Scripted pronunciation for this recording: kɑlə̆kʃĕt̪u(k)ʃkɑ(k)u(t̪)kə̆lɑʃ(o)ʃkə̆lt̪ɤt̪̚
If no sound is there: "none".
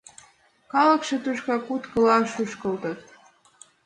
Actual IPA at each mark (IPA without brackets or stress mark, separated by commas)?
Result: none, k, t̪, u